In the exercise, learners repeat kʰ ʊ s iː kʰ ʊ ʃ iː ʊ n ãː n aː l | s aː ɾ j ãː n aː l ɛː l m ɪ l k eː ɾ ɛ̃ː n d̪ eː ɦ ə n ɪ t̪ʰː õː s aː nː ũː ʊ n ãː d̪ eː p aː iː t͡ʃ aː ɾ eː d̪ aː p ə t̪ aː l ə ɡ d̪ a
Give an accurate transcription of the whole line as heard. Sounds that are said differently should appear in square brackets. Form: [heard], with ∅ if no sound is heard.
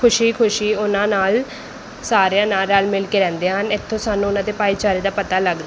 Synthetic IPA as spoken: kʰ ʊ [ʃ] iː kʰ ʊ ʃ iː ʊ n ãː n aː l | s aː ɾ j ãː n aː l [aː] l m ɪ l k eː ɾ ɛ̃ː n d̪ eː ɦ ə n ɪ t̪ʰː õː s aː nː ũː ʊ n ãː d̪ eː p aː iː t͡ʃ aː ɾ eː d̪ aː p ə t̪ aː l ə ɡ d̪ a